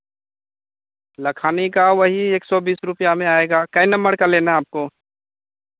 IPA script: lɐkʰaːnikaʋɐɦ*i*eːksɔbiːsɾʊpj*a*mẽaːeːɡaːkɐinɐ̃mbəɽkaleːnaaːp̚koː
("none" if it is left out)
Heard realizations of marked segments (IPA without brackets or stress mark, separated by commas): i, a